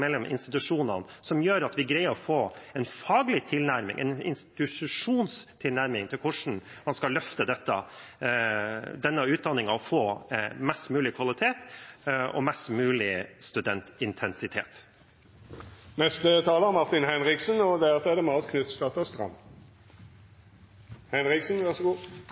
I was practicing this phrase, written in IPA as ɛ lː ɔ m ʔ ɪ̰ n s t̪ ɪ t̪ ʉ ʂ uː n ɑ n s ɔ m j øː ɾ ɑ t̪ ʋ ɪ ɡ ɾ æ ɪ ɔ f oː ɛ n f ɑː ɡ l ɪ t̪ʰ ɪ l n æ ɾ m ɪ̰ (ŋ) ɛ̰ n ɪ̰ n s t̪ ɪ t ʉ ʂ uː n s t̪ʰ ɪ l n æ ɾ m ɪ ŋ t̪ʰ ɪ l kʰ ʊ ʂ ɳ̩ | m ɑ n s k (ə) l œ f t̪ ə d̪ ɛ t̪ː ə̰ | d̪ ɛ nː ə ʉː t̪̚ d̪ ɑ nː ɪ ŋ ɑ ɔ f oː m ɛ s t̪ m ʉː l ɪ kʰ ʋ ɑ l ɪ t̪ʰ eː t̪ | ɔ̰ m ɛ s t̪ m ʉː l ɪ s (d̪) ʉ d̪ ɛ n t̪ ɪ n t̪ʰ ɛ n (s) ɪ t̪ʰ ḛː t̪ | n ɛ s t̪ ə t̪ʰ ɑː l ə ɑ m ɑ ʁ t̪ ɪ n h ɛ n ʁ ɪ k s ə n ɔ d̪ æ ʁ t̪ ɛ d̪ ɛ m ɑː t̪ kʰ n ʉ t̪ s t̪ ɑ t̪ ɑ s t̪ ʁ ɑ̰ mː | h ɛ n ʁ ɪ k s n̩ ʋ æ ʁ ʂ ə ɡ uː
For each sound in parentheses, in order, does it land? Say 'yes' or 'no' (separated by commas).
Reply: yes, no, no, yes